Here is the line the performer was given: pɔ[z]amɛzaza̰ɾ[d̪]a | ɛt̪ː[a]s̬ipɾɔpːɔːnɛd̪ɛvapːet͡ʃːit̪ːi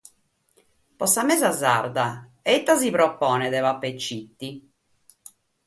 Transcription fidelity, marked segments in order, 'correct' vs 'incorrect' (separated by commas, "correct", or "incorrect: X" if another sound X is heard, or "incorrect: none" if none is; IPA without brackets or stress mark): incorrect: s, correct, correct